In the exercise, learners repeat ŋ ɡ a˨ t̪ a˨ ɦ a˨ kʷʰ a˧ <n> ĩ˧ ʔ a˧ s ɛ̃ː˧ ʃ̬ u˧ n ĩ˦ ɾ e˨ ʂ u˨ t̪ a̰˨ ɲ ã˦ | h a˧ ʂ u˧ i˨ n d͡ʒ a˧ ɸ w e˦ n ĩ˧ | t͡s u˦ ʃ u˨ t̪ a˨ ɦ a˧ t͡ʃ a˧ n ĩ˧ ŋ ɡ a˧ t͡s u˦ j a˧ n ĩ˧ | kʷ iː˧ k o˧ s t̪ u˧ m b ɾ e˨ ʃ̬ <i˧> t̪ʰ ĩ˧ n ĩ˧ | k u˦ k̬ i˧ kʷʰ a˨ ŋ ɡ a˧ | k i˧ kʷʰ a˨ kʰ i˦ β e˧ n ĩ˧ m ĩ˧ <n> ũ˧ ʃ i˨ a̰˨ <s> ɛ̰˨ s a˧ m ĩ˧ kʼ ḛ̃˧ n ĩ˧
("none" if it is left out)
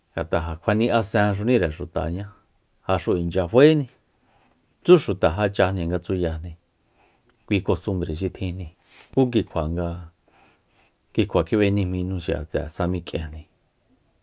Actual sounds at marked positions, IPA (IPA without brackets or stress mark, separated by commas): n, i˧, n, t͡s